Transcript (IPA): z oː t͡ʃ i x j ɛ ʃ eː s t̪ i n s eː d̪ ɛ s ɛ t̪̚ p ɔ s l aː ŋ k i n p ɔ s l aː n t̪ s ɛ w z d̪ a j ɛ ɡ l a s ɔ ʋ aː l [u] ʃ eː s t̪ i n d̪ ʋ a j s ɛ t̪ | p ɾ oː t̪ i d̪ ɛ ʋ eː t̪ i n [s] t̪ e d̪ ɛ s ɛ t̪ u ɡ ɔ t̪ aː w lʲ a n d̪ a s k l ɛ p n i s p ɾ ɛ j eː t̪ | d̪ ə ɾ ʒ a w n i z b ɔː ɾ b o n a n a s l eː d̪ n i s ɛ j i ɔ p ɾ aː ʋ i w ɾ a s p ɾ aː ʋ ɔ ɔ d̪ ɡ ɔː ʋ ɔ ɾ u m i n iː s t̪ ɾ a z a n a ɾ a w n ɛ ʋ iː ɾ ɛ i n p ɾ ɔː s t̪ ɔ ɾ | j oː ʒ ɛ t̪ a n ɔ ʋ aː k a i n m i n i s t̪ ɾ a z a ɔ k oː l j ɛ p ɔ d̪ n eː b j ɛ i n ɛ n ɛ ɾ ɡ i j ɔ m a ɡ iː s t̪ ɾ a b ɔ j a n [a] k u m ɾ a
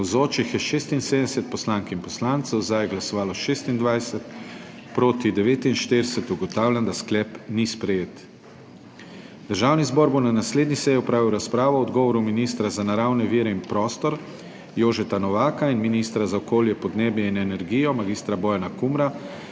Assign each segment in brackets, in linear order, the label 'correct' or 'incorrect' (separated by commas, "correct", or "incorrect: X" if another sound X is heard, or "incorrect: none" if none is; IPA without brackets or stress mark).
incorrect: ɔ, incorrect: ʃ, correct